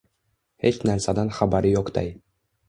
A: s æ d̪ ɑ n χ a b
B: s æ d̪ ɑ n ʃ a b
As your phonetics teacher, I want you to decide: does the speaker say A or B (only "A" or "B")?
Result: A